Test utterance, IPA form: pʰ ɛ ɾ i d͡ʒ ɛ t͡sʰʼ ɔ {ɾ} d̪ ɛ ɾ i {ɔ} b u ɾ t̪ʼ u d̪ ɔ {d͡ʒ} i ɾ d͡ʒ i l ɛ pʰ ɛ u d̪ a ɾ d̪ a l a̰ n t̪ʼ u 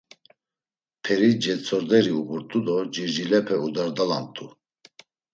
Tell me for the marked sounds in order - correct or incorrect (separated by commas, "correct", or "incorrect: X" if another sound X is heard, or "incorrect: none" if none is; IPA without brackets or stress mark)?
correct, incorrect: u, correct